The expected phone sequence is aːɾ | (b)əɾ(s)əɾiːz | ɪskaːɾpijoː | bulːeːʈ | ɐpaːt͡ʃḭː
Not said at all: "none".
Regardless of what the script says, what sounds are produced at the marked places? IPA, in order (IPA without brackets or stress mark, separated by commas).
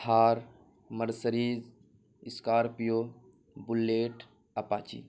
m, s